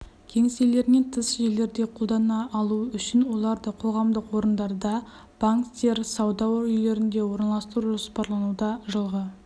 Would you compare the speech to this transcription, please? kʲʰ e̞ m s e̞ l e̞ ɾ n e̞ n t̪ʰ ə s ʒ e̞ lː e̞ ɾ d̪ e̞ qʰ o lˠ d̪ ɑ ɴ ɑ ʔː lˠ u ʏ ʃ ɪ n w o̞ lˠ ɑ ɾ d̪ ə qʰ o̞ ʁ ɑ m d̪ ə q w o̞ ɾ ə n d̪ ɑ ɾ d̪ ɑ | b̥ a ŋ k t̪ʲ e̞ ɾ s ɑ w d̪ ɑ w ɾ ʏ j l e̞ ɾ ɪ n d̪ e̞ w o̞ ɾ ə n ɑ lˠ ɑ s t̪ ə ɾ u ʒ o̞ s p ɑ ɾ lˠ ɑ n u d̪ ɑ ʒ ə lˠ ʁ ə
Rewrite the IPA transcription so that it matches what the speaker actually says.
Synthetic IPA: kʲʰ e̞ ŋ s e̞ l e̞ ɾ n e̞ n t̪ʰ ə s ʒ e̞ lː e̞ ɾ d̪ e̞ qʰ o lˠ d̪ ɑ n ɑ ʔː lˠ u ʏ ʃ ɪ n w o̞ lˠ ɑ ɾ d̪ ə qʰ o̞ ʁ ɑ m d̪ ə q w o̞ ɾ ə n d̪ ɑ ɾ d̪ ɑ | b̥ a ŋ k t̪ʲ e̞ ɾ s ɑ w d̪ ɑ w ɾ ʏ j l e̞ ɾ ɪ n d̪ e̞ w o̞ ɾ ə n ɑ lˠ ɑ s t̪ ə ɾ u ʒ o̞ s p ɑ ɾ lˠ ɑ n u d̪ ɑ ʒ ə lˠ ʁ ə